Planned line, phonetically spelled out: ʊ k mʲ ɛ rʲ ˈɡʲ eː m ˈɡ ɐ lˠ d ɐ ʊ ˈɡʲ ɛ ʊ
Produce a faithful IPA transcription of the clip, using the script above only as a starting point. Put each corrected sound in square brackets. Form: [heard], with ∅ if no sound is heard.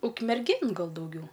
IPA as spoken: ʊ k mʲ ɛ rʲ ˈɡʲ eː [n] ˈɡ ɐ lˠ d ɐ ʊ ˈɡʲ ɛ ʊ